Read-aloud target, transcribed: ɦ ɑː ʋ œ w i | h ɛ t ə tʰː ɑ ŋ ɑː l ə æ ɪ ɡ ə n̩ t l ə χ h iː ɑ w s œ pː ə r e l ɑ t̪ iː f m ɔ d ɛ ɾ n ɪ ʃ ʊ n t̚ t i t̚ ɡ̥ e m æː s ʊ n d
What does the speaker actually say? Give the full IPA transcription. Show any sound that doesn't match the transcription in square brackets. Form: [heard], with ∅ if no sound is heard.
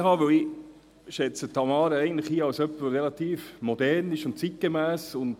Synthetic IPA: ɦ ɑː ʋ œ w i | [ʃ] ɛ [t͡s] ə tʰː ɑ [m] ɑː [ɾ] ə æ ɪ ɡ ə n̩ t l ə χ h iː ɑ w s œ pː ə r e l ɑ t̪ iː f m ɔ d ɛ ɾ n ɪ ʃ ʊ n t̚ [t͡s] i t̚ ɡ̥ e m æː s ʊ n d